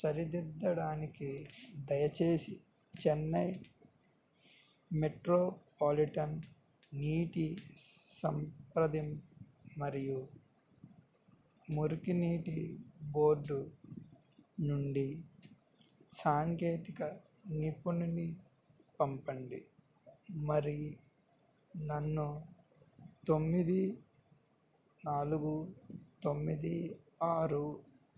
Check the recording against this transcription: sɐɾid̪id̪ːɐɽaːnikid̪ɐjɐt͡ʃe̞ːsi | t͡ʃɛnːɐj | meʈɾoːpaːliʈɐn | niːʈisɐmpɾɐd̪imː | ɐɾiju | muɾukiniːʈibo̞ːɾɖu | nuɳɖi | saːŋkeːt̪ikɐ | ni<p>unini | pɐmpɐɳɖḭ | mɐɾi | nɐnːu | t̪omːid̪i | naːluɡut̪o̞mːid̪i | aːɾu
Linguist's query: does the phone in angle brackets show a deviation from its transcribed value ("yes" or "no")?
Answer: no